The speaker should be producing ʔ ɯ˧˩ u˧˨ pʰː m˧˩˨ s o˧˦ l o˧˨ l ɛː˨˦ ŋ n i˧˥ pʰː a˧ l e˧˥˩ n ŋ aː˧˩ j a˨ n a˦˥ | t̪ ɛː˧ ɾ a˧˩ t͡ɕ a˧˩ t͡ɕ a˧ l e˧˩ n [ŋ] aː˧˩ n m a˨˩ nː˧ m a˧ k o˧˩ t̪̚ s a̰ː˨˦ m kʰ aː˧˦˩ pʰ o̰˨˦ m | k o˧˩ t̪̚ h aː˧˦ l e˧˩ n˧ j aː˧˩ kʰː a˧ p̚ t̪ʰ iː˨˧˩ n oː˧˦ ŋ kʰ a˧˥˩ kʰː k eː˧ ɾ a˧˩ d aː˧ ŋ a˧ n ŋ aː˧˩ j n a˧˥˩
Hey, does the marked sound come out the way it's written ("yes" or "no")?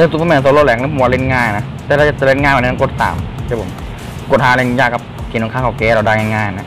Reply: yes